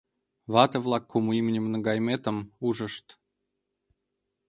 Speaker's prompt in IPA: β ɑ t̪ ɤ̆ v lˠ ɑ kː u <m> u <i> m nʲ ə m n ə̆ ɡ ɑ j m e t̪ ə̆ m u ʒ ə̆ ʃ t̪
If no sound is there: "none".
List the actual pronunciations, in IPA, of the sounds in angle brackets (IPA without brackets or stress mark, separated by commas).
m, i